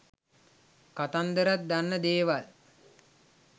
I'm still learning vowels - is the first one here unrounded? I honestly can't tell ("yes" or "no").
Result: yes